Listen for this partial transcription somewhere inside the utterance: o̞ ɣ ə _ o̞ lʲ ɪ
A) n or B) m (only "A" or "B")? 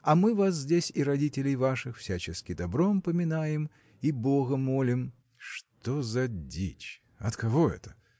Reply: B